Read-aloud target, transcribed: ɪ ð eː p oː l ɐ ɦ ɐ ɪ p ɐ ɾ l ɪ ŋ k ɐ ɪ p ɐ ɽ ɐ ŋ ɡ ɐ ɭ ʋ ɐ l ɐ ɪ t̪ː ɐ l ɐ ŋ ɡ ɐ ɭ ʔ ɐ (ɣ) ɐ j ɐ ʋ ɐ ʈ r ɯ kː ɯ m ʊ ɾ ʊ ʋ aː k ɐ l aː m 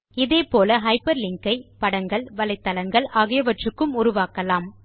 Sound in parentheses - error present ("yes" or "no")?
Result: no